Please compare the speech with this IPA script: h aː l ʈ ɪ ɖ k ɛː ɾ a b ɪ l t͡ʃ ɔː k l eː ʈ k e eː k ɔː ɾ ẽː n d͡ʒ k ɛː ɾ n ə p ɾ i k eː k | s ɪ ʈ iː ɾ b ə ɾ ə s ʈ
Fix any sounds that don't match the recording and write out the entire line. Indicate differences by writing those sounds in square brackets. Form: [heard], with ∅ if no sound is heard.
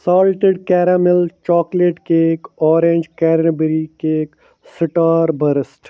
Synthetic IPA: [s] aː l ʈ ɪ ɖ k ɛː ɾ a [m] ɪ l t͡ʃ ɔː k l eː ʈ k e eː k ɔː ɾ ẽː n d͡ʒ k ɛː ɾ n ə [b] ɾ i k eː k | s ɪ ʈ [aː] ɾ b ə ɾ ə s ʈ